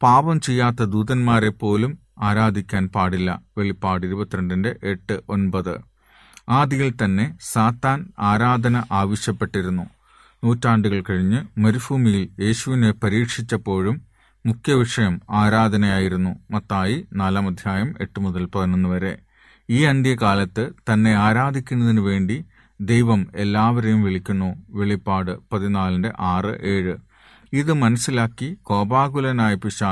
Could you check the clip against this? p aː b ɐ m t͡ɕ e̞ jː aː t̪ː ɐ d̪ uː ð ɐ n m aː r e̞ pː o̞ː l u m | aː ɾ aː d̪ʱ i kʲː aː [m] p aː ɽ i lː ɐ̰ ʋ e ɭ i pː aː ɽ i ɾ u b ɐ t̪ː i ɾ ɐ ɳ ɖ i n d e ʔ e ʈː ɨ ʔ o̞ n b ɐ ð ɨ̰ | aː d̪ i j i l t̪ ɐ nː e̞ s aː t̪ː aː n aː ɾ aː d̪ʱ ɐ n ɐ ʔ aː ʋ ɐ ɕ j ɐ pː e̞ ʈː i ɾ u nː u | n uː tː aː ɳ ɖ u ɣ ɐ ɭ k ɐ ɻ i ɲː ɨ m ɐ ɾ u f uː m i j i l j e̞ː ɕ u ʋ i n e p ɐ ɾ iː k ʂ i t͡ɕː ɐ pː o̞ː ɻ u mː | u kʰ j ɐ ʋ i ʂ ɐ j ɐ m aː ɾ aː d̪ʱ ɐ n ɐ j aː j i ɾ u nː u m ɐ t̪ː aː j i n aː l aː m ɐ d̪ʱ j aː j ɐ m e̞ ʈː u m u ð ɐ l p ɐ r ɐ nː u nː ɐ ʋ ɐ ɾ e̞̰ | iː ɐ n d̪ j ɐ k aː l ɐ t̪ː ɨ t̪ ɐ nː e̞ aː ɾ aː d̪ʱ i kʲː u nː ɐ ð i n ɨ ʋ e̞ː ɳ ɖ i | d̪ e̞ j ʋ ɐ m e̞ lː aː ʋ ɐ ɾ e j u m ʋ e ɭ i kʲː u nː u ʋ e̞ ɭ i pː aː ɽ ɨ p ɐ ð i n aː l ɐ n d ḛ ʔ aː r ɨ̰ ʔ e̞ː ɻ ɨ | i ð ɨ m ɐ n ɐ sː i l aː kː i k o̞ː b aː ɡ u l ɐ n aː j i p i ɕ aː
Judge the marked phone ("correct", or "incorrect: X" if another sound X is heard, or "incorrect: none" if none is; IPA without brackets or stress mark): incorrect: n